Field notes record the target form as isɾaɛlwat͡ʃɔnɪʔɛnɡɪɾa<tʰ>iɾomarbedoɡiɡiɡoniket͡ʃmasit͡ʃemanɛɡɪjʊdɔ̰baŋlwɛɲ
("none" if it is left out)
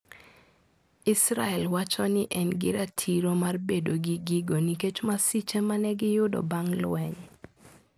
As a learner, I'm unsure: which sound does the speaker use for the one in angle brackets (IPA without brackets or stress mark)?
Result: tʰ